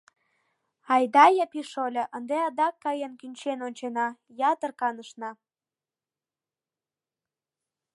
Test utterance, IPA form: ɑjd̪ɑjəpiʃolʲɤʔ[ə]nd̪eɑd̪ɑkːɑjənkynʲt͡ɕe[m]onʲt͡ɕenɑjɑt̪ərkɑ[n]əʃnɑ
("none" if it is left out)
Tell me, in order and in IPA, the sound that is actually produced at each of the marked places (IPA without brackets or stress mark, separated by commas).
ə, n, n